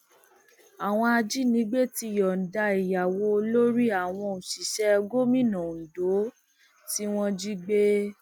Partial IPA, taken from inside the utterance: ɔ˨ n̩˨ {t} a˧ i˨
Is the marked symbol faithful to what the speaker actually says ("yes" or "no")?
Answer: no